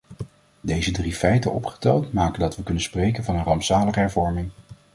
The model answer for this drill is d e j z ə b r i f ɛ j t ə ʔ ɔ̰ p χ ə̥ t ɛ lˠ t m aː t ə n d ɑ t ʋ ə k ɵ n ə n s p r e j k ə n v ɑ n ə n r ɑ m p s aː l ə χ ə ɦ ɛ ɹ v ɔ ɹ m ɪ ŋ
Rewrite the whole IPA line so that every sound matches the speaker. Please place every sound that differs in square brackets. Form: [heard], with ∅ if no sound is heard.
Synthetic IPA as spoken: d e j z ə [d] r i f ɛ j t ə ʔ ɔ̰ p χ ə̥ t ɛ lˠ t m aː [k] ə n d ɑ t ʋ ə k ɵ n ə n s p r e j k ə n v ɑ n ə n r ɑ m p s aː l ə χ ə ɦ ɛ ɹ v ɔ ɹ m ɪ ŋ